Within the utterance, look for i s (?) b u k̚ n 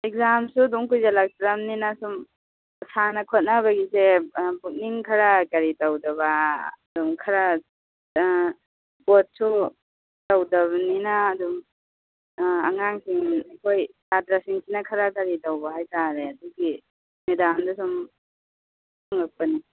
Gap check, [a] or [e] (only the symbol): e